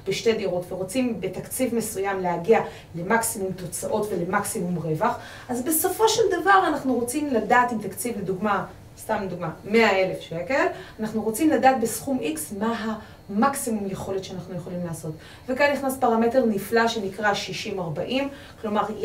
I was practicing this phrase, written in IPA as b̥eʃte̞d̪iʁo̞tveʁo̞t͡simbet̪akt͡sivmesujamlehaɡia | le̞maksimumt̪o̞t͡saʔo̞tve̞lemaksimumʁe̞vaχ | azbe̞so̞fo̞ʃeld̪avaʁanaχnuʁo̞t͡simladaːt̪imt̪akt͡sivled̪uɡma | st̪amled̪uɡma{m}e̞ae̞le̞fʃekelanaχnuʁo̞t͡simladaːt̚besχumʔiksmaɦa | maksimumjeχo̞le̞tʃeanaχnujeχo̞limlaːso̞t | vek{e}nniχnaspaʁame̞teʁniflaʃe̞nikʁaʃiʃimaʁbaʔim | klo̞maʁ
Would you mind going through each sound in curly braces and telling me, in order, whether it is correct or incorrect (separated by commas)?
correct, incorrect